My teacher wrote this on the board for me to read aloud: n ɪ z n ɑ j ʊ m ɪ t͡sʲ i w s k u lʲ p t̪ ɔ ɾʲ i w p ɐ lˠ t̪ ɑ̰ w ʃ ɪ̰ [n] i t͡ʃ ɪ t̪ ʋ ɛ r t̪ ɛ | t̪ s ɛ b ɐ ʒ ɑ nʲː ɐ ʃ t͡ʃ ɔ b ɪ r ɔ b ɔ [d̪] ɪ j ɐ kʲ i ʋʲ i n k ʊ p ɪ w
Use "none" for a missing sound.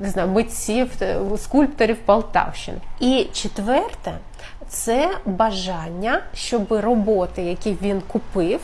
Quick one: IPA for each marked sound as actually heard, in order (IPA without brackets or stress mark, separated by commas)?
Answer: n, t̪